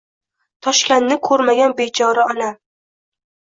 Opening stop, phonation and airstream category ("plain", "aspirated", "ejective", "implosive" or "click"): aspirated